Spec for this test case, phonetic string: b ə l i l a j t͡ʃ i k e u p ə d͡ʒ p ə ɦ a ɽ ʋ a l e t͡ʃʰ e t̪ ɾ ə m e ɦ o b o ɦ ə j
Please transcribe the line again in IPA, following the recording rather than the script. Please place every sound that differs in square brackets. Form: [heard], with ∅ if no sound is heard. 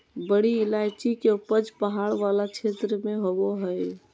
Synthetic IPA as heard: b ə [ɽ] i l a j t͡ʃ i k e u p ə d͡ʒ p ə ɦ a ɽ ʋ a l [a] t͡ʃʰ e t̪ ɾ ə m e ɦ o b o ɦ ə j